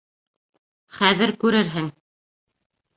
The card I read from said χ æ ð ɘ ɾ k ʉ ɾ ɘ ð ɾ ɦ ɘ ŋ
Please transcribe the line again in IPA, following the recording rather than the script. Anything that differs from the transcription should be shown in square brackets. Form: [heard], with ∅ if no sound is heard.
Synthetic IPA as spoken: χ æ ð ɘ ɾ k ʉ ɾ ɘ [∅] ɾ ɦ ɘ ŋ

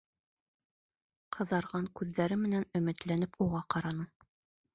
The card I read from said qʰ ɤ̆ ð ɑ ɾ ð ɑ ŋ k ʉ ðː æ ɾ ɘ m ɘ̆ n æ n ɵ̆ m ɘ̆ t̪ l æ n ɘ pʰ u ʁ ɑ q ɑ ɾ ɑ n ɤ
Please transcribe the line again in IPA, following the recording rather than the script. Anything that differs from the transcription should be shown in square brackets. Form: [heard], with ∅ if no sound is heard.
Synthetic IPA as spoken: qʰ ɤ̆ ð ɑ ɾ [ʁ] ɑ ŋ k ʉ ðː æ ɾ ɘ m ɘ̆ n æ n ɵ̆ m ɘ̆ t̪ l æ n ɘ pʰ u ʁ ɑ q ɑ ɾ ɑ n ɤ

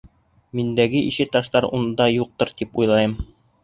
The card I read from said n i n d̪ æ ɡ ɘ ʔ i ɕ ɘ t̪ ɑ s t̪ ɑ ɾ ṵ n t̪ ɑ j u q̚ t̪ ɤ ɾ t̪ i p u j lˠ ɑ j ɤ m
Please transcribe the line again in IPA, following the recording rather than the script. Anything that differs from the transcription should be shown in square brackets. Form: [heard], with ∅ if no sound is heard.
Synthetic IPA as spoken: [m] i n d̪ æ ɡ ɘ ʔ i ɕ ɘ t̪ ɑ [ʃ] t̪ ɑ ɾ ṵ n [d̪] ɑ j u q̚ t̪ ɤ ɾ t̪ i p u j lˠ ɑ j ɤ m

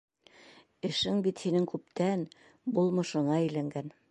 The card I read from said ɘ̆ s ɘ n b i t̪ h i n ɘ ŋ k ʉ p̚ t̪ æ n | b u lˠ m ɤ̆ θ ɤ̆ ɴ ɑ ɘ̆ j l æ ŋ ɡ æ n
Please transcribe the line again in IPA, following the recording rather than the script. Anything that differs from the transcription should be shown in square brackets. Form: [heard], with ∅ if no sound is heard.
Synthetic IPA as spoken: ɘ̆ [ʃ] ɘ [ŋ] b i t̪ h i n ɘ ŋ k ʉ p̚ t̪ æ n | b u lˠ m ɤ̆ [ʃ] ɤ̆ ɴ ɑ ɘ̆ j l æ ŋ ɡ æ n

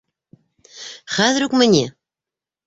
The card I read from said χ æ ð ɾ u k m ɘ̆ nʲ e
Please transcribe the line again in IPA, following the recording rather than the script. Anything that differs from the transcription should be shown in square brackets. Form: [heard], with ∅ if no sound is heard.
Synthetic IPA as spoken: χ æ ð ɾ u k m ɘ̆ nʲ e

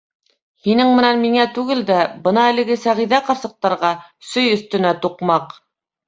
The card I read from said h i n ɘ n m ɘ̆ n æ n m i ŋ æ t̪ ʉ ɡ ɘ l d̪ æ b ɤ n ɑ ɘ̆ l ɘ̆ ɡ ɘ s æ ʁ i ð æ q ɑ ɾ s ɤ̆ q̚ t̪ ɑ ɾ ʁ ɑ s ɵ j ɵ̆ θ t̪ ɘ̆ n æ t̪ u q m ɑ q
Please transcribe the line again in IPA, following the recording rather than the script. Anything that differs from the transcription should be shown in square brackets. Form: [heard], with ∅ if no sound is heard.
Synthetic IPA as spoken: h i n ɘ [ŋ] m ɘ̆ n æ n m i ŋ æ t̪ ʉ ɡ ɘ l d̪ æ b ɤ n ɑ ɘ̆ l ɘ̆ ɡ ɘ s æ ʁ i ð æ q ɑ ɾ s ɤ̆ q̚ t̪ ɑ ɾ ʁ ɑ s ɵ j ɵ̆ θ t̪ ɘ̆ n æ t̪ u q m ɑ q

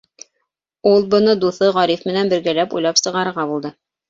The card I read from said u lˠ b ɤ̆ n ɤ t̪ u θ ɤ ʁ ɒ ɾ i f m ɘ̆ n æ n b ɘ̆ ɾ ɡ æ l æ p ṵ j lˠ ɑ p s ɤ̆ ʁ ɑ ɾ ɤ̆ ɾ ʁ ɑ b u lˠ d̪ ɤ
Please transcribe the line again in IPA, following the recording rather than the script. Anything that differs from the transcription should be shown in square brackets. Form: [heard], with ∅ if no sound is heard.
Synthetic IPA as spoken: u lˠ b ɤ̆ n ɤ [d̪] u θ ɤ ʁ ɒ ɾ i f m ɘ̆ n æ n b ɘ̆ ɾ ɡ æ l æ p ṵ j lˠ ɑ p s ɤ̆ ʁ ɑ ɾ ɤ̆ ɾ ʁ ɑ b u lˠ d̪ ɤ

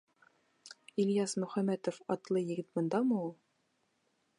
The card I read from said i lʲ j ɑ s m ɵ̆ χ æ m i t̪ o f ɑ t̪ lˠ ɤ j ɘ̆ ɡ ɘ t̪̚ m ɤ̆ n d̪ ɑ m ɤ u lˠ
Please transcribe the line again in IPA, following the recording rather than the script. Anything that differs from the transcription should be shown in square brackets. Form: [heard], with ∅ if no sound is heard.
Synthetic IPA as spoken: i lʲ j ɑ s m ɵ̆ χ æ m [æ] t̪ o f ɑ t̪ lˠ ɤ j ɘ̆ ɡ ɘ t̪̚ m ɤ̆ n d̪ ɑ m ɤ u lˠ

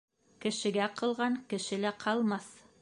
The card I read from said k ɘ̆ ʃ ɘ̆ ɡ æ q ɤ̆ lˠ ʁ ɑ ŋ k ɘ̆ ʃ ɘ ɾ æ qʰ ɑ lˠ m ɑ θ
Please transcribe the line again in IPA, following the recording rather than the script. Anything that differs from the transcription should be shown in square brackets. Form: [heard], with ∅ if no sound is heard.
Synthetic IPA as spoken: k ɘ̆ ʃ ɘ̆ ɡ æ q ɤ̆ lˠ ʁ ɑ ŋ k ɘ̆ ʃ ɘ [l] æ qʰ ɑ lˠ m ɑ θ

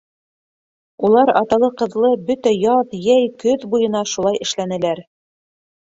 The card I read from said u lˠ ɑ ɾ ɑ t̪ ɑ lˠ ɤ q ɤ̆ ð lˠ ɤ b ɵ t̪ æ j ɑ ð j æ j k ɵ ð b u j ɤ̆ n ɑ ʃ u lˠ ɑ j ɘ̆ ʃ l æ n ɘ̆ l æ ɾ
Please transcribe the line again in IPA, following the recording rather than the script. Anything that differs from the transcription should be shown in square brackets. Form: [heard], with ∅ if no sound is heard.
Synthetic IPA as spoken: u lˠ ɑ ɾ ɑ t̪ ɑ lˠ ɤ q ɤ̆ ð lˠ ɤ b ɵ t̪ æ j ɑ ð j æ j k ɵ ð b u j ɤ̆ n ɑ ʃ u lˠ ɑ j ɘ̆ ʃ l æ n ɘ̆ l æ ɾ

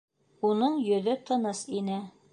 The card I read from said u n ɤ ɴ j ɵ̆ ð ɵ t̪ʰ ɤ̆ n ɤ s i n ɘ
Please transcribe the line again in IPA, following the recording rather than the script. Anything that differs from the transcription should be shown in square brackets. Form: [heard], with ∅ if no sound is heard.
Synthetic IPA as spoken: u n ɤ ɴ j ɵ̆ ð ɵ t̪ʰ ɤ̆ n ɤ s i n ɘ

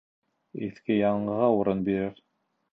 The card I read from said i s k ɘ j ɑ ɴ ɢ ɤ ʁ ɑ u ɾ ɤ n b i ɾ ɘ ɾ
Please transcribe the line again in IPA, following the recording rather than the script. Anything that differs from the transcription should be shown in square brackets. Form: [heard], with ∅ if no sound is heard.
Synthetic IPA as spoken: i [θ] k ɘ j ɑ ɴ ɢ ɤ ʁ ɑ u ɾ ɤ n b i ɾ ɘ ɾ

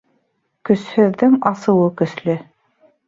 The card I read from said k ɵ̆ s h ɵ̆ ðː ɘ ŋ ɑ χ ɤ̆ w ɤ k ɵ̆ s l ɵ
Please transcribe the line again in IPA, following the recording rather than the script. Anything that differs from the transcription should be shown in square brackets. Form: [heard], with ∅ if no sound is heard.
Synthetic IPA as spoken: k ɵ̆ s h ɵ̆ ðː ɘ ŋ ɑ [s] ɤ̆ w ɤ k ɵ̆ s l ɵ

